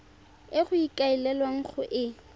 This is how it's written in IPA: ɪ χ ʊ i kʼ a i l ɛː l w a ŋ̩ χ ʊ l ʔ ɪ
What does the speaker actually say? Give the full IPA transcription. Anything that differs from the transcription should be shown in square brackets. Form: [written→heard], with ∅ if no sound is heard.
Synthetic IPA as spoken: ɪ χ ʊ i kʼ a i l [ɛː→ɛ] l w a ŋ̩ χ ʊ [l→∅] ʔ ɪ